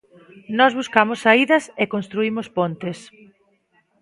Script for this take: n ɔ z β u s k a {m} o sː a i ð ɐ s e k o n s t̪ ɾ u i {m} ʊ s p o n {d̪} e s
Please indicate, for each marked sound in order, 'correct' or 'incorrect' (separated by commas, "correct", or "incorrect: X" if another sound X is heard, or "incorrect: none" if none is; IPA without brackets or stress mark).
correct, correct, incorrect: t̪